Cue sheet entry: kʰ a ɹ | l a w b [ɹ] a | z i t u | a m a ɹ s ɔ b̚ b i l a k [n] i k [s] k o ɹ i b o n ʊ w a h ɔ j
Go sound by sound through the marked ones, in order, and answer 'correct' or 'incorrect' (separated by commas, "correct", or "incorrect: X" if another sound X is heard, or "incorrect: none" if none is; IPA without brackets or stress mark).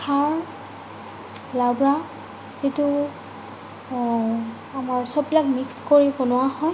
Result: correct, incorrect: m, correct